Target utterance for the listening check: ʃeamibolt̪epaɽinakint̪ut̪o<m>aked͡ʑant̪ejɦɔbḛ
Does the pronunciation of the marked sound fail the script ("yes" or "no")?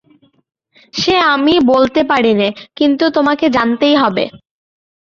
no